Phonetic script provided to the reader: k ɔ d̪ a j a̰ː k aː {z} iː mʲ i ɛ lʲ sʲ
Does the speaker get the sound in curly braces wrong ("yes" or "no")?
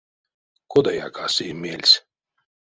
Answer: yes